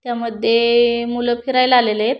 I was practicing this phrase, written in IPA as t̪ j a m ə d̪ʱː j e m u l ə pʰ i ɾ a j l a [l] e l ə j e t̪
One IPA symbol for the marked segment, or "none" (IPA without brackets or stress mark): l